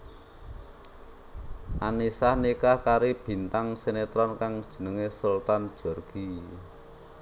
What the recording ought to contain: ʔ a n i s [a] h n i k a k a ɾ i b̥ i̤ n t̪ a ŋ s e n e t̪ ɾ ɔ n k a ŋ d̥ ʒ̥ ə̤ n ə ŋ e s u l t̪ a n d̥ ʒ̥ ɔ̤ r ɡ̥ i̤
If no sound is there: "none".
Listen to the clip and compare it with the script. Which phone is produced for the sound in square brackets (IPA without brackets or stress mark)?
a